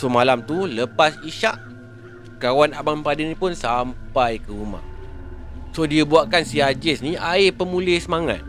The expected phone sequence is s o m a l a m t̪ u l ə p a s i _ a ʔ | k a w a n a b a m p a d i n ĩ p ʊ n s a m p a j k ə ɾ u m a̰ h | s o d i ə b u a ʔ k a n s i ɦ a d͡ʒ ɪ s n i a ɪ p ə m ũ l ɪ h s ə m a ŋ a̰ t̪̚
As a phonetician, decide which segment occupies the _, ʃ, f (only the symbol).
ʃ